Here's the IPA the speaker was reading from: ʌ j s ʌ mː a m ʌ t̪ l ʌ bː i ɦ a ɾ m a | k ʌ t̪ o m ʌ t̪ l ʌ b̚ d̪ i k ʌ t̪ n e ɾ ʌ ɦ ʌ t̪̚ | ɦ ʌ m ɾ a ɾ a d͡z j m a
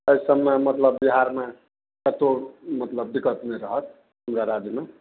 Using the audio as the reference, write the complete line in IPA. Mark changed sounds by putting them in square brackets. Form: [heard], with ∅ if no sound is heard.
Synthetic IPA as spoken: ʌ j s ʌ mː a m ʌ t̪ l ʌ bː i ɦ a ɾ m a | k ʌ t̪ o m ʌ t̪ l ʌ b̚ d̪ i k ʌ t̪ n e ɾ ʌ ɦ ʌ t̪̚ | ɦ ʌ m ɾ a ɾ a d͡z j m a